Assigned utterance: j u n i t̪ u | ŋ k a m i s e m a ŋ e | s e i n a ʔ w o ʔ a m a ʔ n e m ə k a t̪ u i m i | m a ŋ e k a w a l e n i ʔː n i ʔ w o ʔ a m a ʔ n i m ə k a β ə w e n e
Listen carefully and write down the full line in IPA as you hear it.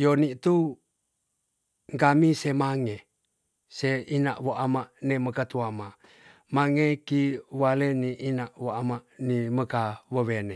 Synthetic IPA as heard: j o n i t̪ u | ŋ k a m i s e m a ŋ e | s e i n a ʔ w o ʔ a m a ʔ n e m ə k a t̪ u a m a | m a ŋ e k i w a l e n i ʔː n a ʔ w o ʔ a m a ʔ n i m ə k a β ə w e n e